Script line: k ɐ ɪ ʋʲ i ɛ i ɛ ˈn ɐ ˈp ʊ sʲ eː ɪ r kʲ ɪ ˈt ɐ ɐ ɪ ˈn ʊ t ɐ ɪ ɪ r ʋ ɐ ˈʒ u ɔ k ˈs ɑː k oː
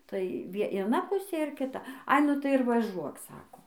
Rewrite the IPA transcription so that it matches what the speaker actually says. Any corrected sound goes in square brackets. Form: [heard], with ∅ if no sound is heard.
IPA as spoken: [t] ɐ ɪ ʋʲ i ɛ i ɛ ˈn ɐ ˈp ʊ sʲ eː ɪ r kʲ ɪ ˈt ɐ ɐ ɪ ˈn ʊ t ɐ ɪ ɪ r ʋ ɐ ˈʒ u ɔ k ˈs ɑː k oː

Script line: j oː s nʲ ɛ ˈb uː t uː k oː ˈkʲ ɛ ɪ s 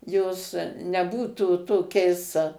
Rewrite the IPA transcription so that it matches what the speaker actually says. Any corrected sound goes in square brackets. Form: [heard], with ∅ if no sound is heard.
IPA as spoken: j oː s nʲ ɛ ˈb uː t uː [t] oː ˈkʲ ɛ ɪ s

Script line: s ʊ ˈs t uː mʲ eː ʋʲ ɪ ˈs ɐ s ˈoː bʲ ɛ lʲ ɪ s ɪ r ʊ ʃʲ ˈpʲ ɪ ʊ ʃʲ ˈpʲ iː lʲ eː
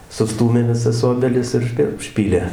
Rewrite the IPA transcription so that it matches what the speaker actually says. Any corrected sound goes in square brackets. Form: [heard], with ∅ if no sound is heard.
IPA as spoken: s ʊ ˈs t uː mʲ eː ʋʲ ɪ ˈs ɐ s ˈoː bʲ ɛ lʲ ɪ s ɪ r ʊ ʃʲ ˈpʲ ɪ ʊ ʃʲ ˈpʲ iː lʲ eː

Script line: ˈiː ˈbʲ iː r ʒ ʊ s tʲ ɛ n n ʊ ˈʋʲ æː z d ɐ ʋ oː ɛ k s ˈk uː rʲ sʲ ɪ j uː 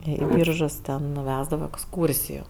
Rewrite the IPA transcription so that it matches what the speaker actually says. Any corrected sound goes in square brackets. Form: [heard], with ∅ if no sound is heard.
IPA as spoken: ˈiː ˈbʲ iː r ʒ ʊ s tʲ ɛ n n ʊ ˈʋʲ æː z d ɐ ʋ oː ɛ k s ˈk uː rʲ sʲ ɪ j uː

